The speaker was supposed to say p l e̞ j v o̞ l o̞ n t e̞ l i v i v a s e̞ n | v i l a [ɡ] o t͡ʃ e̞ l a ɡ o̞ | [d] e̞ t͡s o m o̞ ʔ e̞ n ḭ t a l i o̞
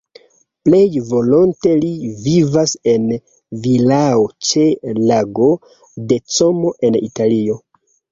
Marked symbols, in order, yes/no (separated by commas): no, yes